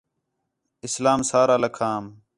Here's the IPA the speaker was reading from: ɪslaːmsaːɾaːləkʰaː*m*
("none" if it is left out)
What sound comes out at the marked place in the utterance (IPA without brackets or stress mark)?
m